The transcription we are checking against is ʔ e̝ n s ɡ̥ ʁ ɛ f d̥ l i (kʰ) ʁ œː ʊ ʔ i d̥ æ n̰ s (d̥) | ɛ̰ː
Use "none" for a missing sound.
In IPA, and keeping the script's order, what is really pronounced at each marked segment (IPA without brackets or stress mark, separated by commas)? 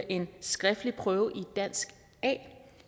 pʰ, ɡ̥